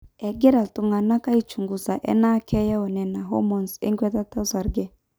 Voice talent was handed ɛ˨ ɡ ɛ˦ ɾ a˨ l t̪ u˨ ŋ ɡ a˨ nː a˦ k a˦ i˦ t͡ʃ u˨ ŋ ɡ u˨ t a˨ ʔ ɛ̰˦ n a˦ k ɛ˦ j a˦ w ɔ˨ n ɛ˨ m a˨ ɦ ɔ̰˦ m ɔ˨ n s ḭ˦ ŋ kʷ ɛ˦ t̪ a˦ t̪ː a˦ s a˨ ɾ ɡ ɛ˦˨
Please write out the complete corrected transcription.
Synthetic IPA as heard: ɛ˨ ɡ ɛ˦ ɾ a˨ l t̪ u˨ ŋ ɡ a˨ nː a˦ k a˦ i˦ t͡ʃ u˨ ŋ ɡ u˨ s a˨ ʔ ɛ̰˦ n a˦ k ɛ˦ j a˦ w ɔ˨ n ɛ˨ n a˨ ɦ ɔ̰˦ m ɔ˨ n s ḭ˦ ŋ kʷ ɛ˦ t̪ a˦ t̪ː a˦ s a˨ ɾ ɡ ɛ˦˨